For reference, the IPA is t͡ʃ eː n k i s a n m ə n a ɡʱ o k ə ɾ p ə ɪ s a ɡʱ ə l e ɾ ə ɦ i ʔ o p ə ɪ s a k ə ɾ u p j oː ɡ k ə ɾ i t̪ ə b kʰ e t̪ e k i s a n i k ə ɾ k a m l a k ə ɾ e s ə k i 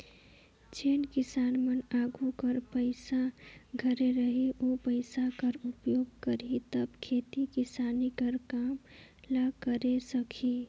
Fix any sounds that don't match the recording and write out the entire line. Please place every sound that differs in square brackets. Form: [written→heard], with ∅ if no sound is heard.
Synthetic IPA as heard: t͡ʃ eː n k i s a n m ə n a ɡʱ [o→u] k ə ɾ p ə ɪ s a ɡʱ ə [l→ɾ] e ɾ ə ɦ i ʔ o p ə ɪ s a k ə ɾ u p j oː ɡ k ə ɾ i t̪ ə b kʰ e t̪ [e→i] k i s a n i k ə ɾ k a m l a k ə ɾ e s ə [k→kʰ] i